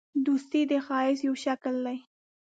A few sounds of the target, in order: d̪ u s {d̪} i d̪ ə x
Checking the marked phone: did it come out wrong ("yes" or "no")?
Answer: yes